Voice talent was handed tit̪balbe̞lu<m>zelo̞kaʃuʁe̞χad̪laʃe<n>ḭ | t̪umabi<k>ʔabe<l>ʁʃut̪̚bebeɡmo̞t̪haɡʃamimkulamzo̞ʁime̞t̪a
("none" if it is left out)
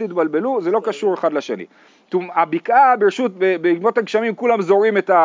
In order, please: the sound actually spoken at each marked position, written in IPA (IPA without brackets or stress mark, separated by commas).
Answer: none, n, k, none